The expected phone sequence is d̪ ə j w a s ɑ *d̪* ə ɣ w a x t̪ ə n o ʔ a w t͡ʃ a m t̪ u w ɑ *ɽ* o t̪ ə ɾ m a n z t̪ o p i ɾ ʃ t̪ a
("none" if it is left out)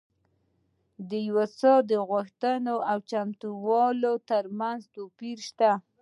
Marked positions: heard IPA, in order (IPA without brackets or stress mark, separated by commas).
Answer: d̪, l